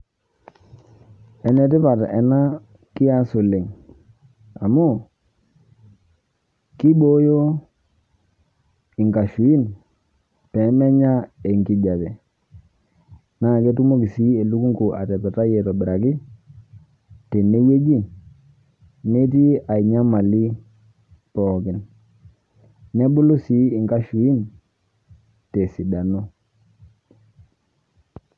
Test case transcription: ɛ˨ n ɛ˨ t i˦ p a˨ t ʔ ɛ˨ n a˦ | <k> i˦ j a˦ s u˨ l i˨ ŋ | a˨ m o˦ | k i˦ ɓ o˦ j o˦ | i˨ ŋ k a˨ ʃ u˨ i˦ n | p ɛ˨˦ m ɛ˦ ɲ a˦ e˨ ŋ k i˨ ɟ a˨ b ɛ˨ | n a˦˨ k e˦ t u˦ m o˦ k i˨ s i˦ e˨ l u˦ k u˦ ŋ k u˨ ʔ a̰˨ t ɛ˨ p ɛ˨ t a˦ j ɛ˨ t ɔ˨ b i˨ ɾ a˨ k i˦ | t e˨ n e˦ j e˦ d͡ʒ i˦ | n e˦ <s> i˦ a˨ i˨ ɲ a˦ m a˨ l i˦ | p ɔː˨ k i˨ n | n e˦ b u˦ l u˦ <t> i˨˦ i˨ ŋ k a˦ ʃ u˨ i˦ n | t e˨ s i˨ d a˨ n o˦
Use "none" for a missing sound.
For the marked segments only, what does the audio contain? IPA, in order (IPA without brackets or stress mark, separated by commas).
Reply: k, t, s